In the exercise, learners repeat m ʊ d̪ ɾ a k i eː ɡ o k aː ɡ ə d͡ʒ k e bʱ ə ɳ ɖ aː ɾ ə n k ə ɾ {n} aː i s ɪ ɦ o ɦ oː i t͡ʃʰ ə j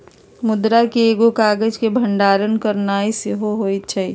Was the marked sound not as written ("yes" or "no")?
no